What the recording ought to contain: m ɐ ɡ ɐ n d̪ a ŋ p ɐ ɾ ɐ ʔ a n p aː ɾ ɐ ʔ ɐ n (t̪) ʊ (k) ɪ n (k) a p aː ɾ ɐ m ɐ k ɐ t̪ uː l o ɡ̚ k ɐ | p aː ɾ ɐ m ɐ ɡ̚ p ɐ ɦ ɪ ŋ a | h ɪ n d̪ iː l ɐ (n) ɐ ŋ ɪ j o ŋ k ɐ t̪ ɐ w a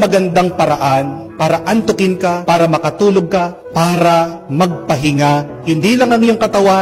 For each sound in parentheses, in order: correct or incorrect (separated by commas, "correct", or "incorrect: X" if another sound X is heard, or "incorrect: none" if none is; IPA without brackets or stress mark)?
correct, correct, correct, incorrect: ŋ